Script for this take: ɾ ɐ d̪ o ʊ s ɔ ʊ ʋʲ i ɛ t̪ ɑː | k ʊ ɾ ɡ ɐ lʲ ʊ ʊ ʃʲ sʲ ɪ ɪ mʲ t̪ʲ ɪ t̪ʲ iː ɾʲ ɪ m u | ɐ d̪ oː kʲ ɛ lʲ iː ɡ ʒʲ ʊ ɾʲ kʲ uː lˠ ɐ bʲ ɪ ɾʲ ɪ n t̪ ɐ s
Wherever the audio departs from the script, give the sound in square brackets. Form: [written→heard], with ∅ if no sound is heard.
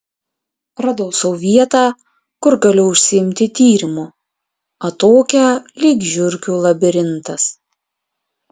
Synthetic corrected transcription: ɾ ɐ d̪ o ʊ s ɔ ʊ ʋʲ i ɛ t̪ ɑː | k ʊ ɾ ɡ ɐ lʲ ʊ ʊ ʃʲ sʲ ɪ ɪ mʲ t̪ʲ ɪ t̪ʲ iː ɾʲ ɪ m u | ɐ [d̪→t̪] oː kʲ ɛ lʲ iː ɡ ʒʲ ʊ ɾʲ kʲ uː lˠ ɐ bʲ ɪ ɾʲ ɪ n t̪ ɐ s